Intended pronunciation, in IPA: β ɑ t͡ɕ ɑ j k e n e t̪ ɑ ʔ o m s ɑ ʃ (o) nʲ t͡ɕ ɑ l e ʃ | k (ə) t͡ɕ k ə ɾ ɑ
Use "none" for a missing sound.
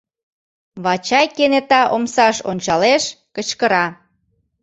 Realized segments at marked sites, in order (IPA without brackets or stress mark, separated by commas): o, ə